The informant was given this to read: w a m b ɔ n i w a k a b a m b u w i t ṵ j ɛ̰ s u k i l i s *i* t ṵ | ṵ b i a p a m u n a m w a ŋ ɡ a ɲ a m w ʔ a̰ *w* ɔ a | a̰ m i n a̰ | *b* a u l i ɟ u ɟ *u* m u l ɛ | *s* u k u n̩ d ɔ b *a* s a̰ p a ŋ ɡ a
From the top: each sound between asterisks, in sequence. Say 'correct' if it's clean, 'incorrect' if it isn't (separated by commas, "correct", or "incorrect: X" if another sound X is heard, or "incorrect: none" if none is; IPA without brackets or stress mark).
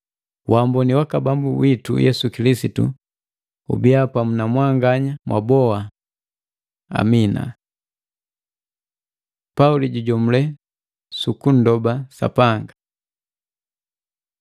correct, incorrect: b, incorrect: p, incorrect: ɔ, correct, correct